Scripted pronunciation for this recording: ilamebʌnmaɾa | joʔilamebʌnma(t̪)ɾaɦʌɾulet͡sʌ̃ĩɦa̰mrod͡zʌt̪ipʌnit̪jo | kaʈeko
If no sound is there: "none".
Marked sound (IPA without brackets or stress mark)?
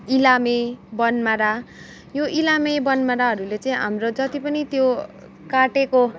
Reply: none